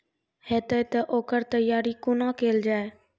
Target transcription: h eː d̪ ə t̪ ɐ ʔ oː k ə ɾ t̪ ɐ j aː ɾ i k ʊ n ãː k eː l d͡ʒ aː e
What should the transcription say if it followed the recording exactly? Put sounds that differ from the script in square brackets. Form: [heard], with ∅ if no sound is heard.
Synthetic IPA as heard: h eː [t̪] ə t̪ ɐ ʔ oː k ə ɾ t̪ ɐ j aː ɾ i k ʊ n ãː k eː l d͡ʒ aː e